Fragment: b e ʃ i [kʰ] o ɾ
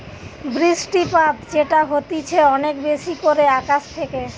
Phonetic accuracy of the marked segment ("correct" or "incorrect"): incorrect